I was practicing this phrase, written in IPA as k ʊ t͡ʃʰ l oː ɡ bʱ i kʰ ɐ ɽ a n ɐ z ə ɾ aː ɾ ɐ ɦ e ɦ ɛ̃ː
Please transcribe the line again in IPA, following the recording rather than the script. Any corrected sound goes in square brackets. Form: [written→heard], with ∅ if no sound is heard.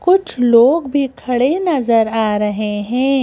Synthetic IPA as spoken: k ʊ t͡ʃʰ l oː ɡ bʱ i kʰ ɐ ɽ [a→e] n ɐ z ə ɾ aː ɾ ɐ ɦ e ɦ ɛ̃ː